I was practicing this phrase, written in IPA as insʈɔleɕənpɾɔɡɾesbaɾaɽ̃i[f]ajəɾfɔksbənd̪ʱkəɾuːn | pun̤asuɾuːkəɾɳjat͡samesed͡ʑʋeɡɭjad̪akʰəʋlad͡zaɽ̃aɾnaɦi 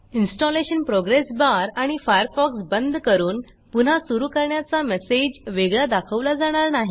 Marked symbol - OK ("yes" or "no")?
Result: yes